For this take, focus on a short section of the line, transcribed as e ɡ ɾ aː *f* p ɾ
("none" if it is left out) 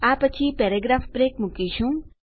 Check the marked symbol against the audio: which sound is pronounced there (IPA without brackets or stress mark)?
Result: f